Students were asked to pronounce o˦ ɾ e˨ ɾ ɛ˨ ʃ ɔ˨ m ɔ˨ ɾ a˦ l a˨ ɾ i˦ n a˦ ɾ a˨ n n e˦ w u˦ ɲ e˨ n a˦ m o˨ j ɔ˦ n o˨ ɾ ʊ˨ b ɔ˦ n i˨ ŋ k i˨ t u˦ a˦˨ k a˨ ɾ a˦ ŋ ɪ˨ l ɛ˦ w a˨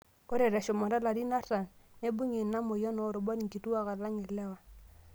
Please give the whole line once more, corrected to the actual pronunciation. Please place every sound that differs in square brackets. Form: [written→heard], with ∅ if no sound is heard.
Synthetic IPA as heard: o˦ ɾ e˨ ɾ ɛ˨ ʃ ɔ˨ m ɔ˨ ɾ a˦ l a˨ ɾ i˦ n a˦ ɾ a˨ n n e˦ [w→b] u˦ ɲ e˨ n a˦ m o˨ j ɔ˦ n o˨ ɾ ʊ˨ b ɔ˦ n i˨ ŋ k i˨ t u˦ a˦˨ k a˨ [ɾ→l] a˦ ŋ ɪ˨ l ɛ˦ w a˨